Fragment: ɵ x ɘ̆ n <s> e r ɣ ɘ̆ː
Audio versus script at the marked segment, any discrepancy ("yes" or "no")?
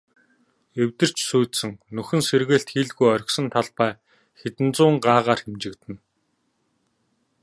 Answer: no